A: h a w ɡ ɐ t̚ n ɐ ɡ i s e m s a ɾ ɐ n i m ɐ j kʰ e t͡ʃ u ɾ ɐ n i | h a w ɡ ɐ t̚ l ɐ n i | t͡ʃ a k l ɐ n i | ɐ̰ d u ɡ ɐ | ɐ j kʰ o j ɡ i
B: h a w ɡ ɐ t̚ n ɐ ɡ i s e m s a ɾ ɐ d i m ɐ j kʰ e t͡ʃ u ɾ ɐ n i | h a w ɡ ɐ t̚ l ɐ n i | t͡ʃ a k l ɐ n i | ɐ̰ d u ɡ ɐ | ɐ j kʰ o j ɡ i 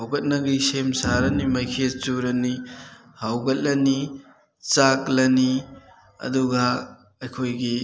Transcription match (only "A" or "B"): A